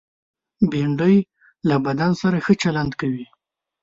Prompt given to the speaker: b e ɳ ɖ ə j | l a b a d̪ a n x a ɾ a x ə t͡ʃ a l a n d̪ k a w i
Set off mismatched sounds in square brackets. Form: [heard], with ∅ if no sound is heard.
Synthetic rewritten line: b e ɳ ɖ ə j | l a b a d̪ a n [s] a ɾ a x ə t͡ʃ a l a n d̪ k a w i